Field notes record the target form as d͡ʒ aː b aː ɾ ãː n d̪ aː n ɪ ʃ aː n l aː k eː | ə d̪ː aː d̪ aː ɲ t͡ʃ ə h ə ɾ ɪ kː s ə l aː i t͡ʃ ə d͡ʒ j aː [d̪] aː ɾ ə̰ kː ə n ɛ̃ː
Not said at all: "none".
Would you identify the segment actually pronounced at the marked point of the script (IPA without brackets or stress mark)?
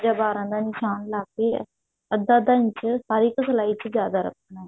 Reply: d̪